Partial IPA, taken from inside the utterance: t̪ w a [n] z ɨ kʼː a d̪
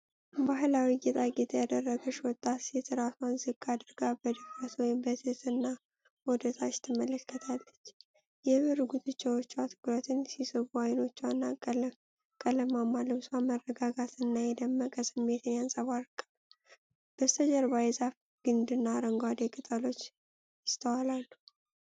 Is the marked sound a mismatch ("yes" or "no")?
no